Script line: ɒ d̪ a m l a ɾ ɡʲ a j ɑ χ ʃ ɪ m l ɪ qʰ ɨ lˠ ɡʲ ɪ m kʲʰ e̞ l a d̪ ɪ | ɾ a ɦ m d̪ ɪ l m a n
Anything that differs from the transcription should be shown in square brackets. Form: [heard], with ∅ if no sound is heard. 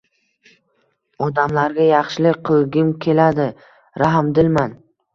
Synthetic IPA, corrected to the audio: ɒ d̪ a m l a ɾ ɡʲ a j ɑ χ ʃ ɪ [∅] l ɪ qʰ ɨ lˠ ɡʲ ɪ m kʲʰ e̞ l a d̪ ɪ | ɾ a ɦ m d̪ ɪ l m a n